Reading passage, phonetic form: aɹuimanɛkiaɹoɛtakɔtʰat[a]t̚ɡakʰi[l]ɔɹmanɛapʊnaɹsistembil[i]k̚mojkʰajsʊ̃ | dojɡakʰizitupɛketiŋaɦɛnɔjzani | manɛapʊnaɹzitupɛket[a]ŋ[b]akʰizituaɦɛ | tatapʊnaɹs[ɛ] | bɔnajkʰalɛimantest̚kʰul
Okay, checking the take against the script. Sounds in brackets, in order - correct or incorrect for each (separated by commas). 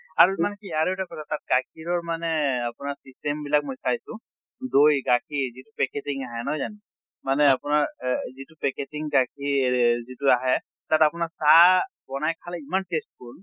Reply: correct, incorrect, incorrect, incorrect, incorrect, incorrect